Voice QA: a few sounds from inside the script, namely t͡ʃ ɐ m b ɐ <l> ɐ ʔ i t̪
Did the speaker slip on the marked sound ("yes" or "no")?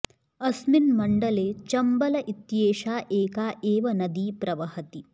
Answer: no